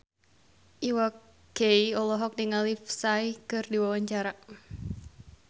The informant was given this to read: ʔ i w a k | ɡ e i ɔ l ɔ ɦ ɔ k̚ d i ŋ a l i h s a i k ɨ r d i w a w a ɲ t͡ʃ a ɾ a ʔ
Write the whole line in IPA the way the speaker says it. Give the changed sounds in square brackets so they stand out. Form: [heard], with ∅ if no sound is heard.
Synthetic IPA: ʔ i w a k | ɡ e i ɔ l ɔ ɦ ɔ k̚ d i ŋ a l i [f] s a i k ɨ r d i w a w a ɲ t͡ʃ a ɾ a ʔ